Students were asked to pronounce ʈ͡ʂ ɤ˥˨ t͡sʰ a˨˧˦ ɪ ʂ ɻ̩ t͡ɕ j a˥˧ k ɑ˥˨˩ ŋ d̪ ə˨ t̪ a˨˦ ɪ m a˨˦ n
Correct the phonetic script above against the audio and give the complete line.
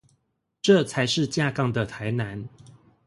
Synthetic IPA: ʈ͡ʂ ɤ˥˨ t͡sʰ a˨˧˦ ɪ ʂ ɻ̩ t͡ɕ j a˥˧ k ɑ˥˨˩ ŋ d̪ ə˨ t̪ʰ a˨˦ ɪ n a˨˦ n